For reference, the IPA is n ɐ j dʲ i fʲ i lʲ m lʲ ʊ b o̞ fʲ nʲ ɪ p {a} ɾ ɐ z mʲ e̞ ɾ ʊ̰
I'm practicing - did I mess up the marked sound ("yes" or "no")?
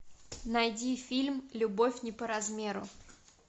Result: yes